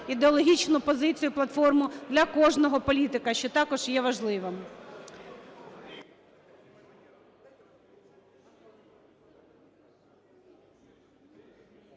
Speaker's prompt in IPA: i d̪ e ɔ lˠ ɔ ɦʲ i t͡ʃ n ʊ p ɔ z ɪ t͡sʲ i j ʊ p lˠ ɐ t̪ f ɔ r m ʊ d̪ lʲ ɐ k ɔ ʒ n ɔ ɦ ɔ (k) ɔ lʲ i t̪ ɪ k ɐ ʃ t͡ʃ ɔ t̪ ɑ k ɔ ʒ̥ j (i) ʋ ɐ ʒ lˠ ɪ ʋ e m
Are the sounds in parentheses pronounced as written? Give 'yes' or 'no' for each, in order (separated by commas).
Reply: no, no